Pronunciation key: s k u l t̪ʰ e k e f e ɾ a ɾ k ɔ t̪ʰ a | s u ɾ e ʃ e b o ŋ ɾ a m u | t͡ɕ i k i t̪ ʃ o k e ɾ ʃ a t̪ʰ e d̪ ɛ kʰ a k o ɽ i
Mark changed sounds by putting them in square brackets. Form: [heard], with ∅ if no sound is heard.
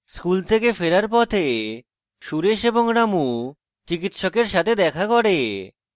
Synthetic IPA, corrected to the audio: s k u l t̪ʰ e k e f e ɾ a ɾ [p] ɔ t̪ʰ [e] | [ʃ] u ɾ e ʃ e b o ŋ ɾ a m u | t͡ɕ i k i t̪ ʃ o k e ɾ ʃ a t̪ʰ e d̪ ɛ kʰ a k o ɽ [e]